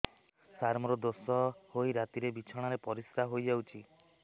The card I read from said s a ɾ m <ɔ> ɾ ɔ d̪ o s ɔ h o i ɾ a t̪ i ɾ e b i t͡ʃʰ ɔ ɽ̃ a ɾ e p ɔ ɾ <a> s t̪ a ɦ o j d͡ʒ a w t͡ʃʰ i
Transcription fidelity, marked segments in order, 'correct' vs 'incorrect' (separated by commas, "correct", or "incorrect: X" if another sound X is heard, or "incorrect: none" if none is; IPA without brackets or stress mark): correct, incorrect: i